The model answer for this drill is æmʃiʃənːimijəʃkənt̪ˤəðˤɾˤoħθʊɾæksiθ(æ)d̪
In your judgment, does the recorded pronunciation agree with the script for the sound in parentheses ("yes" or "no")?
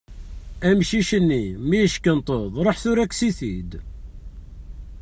no